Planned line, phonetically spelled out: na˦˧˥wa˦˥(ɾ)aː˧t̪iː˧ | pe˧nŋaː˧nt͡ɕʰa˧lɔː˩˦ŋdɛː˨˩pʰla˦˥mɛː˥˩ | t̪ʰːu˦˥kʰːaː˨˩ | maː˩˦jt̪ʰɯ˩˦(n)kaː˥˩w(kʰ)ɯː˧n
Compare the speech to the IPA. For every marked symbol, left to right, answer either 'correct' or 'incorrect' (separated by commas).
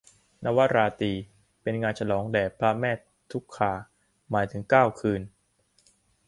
correct, incorrect, correct